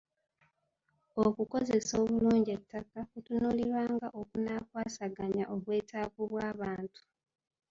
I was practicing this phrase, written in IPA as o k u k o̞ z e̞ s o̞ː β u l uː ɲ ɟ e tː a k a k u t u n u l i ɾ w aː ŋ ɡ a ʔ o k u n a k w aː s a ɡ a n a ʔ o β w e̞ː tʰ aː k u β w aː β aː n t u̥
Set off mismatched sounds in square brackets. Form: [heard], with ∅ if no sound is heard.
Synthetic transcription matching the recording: o k u k o̞ z e̞ s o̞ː β u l uː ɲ ɟ e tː a k a k u t u n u l i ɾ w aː ŋ ɡ a ʔ o k u n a k w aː s a ɡ a [ɲ] a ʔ o β w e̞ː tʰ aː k u β w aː β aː n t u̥